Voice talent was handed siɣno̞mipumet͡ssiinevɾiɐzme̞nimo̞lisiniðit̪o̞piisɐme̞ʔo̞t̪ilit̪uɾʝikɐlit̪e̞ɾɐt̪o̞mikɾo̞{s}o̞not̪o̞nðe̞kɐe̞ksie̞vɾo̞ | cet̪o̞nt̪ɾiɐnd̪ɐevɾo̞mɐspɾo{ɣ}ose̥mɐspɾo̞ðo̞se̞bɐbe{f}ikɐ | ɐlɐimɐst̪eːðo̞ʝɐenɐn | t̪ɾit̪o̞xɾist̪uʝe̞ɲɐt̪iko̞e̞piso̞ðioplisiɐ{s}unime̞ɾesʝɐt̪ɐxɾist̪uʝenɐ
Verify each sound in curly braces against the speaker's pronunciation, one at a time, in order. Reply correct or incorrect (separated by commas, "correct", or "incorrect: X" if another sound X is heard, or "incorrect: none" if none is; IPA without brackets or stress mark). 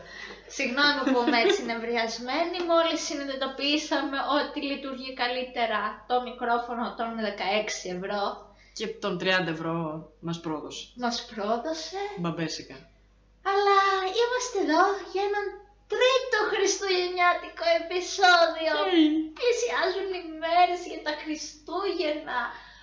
incorrect: f, incorrect: ð, incorrect: s, incorrect: z